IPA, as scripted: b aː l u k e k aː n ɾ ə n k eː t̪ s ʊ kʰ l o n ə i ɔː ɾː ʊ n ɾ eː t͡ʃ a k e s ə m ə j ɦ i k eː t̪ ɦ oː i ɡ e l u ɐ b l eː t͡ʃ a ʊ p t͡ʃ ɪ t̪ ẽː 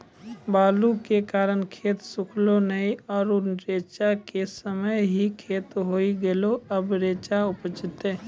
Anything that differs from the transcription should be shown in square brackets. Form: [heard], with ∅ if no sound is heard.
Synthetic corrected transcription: b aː l u k e k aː [∅] ɾ ə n [kʰ] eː t̪ s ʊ kʰ l o n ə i ɔː [ɾ] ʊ n ɾ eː t͡ʃ a k e s ə m ə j ɦ i [kʰ] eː t̪ ɦ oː i ɡ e l [o] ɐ b [ɾ] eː t͡ʃ a ʊ p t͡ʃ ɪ t̪ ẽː